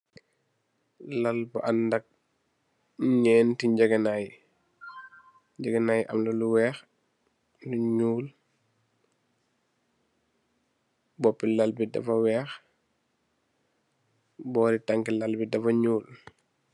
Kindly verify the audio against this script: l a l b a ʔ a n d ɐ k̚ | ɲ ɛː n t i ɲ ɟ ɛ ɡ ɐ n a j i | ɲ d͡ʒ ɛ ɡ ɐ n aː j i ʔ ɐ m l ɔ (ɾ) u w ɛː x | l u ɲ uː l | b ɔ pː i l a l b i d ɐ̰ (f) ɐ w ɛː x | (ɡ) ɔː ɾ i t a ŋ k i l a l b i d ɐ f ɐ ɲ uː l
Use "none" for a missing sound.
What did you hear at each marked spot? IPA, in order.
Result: l, f, b

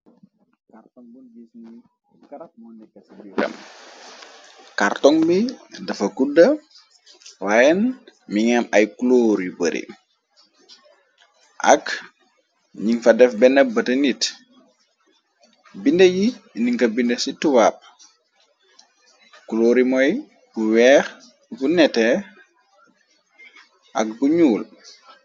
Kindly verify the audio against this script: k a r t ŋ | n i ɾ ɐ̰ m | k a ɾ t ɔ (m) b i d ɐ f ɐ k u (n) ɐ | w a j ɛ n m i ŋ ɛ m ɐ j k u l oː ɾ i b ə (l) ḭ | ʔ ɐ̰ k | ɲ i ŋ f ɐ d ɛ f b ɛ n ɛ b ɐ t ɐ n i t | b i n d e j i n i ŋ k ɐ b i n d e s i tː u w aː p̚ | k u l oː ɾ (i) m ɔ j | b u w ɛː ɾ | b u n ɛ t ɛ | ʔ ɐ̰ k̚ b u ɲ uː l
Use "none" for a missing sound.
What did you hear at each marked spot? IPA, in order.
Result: ŋ, d, ɾ, i

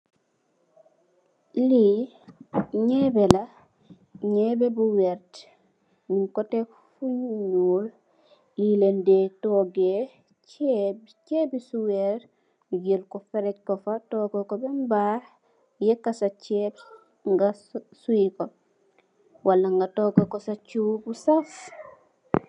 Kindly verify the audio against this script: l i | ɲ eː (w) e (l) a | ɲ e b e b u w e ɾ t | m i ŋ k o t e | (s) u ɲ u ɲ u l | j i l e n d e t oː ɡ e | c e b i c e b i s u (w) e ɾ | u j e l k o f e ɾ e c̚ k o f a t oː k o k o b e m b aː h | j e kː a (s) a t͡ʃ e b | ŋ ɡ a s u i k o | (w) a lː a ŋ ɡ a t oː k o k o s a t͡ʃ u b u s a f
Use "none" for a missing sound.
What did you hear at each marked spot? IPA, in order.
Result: b, l, f, w, s, w

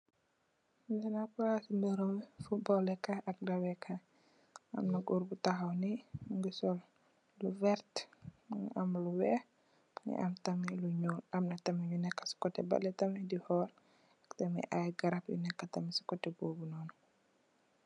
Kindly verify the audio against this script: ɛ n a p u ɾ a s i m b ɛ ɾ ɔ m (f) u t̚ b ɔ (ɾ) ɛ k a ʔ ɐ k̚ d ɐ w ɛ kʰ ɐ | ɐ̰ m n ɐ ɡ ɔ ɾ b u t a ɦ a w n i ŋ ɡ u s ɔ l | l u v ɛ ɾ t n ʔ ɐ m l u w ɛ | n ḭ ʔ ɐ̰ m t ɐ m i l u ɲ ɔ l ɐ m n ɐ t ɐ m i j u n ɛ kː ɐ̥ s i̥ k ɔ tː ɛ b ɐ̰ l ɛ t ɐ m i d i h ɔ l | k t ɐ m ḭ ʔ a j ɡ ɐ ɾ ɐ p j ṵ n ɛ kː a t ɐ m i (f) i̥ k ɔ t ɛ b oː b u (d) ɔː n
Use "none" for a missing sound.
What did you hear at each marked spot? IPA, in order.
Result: f, l, s, n

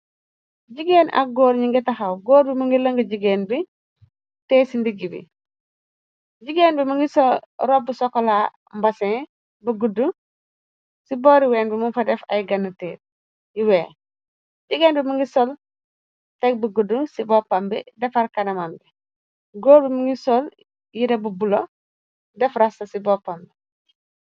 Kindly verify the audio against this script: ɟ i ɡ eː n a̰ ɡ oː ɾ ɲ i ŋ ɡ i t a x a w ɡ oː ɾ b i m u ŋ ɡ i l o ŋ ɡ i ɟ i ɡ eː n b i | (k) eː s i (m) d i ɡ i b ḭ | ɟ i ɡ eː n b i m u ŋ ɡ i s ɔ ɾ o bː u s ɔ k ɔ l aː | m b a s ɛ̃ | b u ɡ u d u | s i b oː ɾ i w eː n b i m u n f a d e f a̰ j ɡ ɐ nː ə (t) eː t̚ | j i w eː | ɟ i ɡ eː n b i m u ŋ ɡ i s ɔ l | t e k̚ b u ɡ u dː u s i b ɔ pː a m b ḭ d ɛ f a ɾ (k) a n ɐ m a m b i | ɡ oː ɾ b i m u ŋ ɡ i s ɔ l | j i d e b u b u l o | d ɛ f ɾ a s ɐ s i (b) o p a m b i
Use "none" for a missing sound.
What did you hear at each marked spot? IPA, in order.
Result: t, n, t, k, b

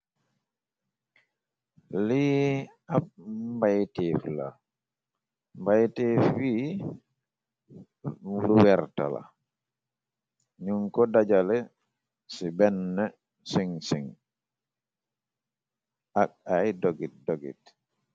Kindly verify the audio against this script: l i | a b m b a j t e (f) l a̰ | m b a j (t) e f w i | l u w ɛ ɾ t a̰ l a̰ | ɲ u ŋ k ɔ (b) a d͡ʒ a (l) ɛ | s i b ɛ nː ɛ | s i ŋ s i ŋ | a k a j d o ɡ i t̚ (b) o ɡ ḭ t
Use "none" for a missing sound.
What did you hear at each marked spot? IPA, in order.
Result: f, t, d, l, d

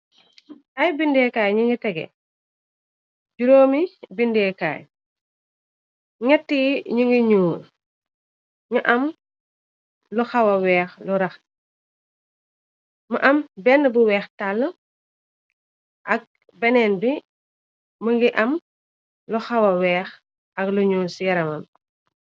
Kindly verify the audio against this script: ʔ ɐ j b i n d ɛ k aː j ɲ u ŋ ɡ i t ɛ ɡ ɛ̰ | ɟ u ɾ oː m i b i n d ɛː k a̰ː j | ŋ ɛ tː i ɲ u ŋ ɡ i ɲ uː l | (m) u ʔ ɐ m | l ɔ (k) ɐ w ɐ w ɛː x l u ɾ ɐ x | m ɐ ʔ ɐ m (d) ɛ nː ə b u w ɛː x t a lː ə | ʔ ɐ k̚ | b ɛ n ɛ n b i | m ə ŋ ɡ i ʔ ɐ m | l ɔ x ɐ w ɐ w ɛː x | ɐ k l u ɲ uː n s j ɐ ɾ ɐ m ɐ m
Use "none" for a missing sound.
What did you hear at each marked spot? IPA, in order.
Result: ɲ, x, b

